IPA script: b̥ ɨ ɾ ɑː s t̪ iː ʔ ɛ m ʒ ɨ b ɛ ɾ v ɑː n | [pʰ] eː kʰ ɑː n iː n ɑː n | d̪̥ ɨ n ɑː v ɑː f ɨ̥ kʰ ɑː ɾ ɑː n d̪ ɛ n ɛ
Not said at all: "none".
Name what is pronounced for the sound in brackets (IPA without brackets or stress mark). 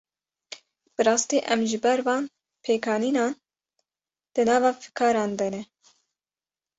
pʰ